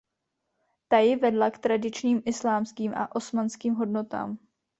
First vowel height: low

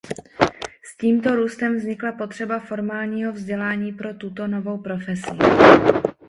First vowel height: high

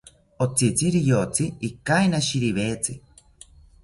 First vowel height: mid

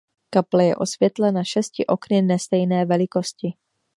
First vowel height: low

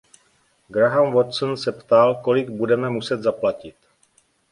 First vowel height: low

